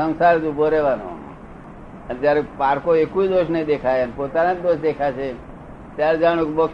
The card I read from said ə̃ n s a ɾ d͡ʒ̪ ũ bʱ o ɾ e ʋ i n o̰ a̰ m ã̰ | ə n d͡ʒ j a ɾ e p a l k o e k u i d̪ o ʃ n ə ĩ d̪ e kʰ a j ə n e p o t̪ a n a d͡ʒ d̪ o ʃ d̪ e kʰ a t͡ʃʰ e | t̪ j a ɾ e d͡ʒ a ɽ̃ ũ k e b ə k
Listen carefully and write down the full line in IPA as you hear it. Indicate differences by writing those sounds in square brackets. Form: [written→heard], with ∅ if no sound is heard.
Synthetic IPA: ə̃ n s a ɾ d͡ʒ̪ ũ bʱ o ɾ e ʋ [i→a] n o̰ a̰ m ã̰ | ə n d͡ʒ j a ɾ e p a [l→ɾ] k o e k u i d̪ o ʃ n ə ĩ d̪ e kʰ a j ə n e p o t̪ a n a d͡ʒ d̪ o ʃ d̪ e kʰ a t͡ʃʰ e | t̪ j a ɾ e d͡ʒ a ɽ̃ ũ k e b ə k